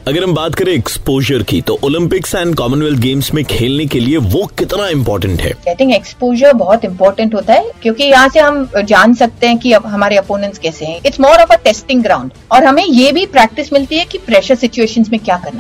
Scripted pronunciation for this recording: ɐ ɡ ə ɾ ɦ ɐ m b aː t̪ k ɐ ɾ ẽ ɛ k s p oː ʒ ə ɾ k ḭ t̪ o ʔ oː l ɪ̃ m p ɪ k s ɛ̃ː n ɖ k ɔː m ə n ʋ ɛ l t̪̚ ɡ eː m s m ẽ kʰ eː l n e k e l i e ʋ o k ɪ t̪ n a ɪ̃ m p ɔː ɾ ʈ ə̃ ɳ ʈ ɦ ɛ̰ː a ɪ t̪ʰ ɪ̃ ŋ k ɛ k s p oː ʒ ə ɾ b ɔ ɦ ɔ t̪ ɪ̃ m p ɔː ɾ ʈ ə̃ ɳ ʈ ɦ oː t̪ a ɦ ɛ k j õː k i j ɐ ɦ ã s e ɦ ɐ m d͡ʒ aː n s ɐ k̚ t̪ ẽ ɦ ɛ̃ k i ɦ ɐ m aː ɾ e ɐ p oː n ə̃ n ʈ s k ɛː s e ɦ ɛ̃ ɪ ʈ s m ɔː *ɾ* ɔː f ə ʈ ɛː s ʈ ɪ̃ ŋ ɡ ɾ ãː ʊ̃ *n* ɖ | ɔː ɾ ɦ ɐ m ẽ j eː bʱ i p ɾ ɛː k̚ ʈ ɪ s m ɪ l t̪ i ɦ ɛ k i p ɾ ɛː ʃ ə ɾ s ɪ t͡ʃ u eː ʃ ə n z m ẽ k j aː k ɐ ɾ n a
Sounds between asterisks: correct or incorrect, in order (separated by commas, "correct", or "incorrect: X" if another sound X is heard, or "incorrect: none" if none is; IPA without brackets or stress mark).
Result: correct, incorrect: ɳ